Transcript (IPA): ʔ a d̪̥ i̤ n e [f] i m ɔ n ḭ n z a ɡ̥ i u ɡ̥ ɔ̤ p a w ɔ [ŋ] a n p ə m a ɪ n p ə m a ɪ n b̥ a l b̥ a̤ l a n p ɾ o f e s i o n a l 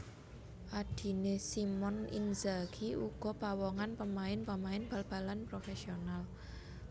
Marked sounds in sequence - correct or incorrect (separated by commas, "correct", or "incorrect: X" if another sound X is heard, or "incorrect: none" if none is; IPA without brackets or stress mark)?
incorrect: s, correct